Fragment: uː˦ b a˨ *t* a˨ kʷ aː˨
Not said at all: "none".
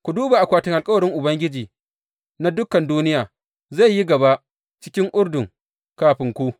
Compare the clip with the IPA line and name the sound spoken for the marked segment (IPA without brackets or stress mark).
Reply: ʔ